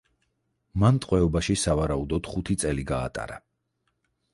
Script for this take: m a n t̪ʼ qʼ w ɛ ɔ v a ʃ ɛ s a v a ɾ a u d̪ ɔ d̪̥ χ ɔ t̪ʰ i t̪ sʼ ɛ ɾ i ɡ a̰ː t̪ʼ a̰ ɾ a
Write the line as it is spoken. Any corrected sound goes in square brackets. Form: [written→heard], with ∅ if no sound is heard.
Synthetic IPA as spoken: m a n t̪ʼ qʼ w ɛ ɔ [v→b] a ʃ [ɛ→i] s a v a ɾ a u d̪ ɔ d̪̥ χ [ɔ→u] t̪ʰ i t̪ sʼ ɛ [ɾ→l] i ɡ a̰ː t̪ʼ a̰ ɾ a